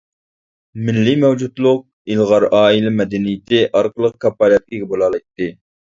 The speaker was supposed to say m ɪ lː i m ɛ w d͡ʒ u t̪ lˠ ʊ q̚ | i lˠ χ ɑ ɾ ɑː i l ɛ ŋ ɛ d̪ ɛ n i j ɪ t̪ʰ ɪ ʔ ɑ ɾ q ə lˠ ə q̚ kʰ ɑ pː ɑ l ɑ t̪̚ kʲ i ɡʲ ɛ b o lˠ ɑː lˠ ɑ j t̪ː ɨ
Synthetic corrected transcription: m ɪ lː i m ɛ w d͡ʒ u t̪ lˠ ʊ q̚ | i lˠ ʁ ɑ ɾ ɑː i l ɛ m ɛ d̪ ɛ n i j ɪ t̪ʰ ɪ ʔ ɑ ɾ q ə lˠ ə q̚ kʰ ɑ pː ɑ l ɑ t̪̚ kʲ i ɡʲ ɛ b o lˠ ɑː lˠ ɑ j t̪ː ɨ